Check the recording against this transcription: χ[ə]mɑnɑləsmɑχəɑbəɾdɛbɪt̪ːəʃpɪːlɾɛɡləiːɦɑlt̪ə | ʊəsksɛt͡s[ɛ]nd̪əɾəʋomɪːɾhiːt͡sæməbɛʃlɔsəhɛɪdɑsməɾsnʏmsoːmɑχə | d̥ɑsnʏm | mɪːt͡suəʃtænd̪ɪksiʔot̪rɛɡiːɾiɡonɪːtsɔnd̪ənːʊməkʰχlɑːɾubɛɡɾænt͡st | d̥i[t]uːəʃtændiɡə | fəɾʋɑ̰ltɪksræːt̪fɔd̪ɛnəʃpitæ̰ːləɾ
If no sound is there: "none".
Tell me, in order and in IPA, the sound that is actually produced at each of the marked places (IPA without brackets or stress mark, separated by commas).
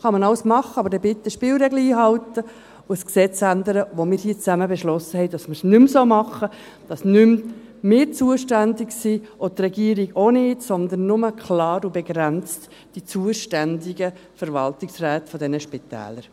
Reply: ɑ, æ, t͡s